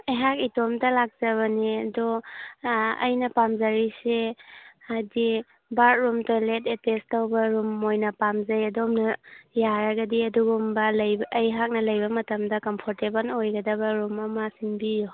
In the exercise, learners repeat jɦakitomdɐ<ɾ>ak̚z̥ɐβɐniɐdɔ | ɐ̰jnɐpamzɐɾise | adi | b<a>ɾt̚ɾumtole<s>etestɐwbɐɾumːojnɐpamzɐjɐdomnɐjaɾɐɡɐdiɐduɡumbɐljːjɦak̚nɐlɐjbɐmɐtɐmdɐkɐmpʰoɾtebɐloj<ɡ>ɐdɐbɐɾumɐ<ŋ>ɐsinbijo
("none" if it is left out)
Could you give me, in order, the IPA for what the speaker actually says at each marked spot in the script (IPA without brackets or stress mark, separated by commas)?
l, a, t, ɡ, m